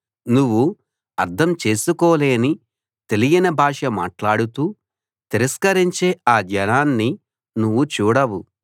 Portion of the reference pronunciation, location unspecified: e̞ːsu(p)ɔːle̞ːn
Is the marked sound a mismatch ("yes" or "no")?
yes